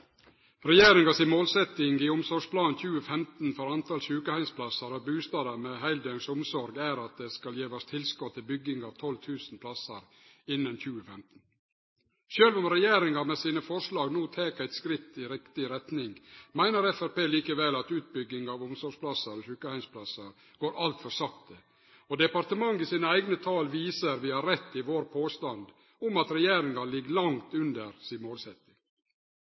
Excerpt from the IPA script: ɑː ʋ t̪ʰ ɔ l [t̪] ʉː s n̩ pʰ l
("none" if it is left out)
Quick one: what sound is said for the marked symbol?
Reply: t̪ʰ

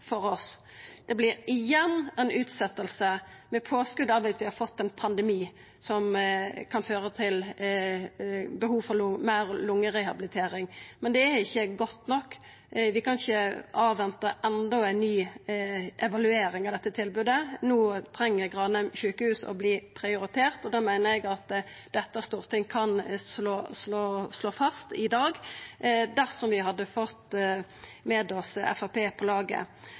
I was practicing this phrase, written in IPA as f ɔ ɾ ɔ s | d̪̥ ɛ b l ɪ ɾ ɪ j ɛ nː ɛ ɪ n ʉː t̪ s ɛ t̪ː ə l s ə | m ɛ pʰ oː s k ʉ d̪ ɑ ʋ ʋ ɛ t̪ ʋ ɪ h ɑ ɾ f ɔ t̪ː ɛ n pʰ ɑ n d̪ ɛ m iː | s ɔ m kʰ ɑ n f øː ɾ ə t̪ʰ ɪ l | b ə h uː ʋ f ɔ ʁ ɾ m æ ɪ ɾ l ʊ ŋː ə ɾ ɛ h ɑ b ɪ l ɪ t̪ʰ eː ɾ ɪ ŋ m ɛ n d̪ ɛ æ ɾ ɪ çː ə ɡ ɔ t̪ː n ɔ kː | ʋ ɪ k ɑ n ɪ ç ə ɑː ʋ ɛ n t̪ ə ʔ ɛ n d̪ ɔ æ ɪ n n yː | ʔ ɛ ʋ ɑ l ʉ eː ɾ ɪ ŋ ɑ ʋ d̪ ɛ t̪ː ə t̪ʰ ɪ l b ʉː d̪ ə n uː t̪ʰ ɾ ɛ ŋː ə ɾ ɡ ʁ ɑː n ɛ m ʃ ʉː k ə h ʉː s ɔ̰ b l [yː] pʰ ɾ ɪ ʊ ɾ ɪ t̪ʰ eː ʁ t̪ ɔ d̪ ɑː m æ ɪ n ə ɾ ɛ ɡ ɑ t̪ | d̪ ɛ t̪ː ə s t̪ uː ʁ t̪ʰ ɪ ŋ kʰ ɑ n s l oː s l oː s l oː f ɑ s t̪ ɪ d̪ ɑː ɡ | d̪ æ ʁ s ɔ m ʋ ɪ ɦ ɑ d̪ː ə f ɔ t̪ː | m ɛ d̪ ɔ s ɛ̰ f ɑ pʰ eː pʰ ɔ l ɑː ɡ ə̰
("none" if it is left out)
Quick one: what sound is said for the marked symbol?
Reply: iː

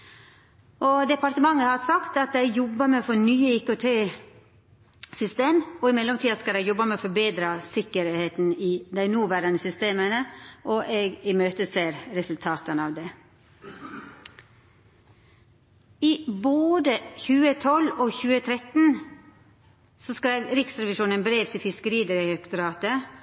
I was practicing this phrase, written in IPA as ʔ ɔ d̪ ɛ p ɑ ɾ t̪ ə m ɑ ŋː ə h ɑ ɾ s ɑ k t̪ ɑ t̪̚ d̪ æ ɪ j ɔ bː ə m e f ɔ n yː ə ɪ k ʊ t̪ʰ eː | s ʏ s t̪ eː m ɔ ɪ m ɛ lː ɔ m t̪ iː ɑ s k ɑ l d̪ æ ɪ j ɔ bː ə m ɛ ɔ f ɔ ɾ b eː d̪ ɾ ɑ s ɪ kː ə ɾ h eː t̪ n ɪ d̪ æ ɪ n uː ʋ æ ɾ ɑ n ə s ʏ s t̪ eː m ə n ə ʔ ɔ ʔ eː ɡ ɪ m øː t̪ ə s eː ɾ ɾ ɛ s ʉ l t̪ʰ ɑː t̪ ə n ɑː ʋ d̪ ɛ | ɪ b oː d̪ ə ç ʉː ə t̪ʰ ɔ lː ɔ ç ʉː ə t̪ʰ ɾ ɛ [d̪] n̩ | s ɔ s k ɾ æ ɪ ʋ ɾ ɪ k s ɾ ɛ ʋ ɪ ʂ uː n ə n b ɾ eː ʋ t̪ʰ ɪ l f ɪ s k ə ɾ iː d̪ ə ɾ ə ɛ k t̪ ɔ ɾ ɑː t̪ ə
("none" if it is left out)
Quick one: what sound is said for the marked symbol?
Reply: t̪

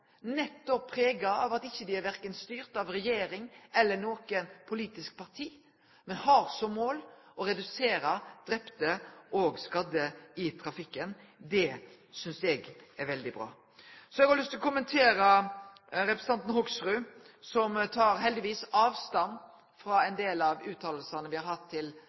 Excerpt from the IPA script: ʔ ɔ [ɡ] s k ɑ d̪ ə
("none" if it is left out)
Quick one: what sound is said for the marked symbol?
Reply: ɡ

